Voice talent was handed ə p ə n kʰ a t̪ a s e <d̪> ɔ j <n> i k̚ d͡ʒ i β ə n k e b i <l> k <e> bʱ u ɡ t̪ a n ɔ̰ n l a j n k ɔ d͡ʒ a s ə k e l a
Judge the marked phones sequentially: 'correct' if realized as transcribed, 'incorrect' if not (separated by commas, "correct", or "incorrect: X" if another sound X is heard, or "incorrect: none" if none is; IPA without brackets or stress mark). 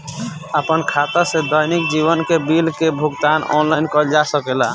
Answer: correct, correct, correct, correct